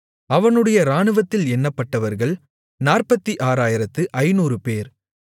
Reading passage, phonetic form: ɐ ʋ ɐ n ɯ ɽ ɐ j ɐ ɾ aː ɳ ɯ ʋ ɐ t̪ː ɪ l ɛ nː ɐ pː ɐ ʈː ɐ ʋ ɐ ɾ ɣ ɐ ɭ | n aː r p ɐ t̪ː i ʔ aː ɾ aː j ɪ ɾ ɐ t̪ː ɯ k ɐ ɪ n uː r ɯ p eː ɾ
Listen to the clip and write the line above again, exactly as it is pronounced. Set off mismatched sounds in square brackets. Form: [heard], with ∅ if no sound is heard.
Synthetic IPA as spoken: ɐ ʋ ɐ n ɯ ɽ ɐ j ɐ ɾ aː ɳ ɯ ʋ ɐ t̪ː ɪ l ɛ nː ɐ pː ɐ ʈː ɐ ʋ ɐ ɾ ɣ ɐ ɭ | n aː r p ɐ t̪ː i ʔ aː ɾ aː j ɪ ɾ ɐ t̪ː ɯ [ʔ] ɐ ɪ n uː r ɯ p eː ɾ